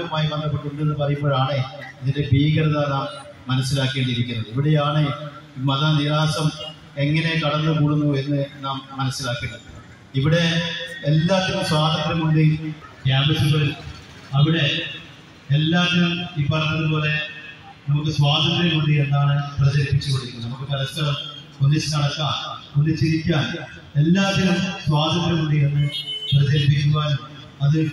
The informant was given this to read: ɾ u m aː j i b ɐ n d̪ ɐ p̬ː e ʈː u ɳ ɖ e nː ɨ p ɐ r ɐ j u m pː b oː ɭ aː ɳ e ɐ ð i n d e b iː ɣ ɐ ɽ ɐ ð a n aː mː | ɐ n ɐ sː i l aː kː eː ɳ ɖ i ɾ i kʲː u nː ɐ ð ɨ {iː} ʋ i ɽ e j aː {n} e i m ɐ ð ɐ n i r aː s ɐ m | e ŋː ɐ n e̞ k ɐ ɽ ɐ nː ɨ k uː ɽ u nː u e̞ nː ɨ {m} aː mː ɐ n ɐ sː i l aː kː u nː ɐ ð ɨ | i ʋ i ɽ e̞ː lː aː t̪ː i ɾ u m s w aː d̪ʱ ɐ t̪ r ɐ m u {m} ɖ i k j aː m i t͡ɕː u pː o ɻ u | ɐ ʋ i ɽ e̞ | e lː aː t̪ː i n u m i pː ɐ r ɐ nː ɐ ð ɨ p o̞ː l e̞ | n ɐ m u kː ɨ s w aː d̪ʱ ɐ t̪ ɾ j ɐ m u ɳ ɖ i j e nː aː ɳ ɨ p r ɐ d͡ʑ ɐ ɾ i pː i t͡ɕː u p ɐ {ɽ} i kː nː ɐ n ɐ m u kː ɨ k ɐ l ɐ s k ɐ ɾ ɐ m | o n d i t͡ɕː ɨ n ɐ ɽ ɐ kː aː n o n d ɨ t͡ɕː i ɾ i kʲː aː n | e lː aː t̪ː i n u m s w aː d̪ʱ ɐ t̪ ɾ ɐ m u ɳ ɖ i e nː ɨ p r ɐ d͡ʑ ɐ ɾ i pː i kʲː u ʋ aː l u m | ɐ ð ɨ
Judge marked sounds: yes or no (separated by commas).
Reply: no, no, no, no, yes